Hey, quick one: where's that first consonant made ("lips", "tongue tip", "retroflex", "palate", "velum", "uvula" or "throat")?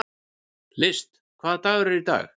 tongue tip